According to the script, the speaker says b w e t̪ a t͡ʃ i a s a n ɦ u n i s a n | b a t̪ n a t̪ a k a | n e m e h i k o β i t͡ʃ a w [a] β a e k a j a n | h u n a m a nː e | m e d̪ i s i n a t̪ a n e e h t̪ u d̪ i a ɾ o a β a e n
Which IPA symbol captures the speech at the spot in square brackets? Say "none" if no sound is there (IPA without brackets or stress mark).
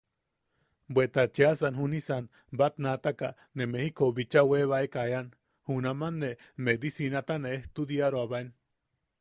e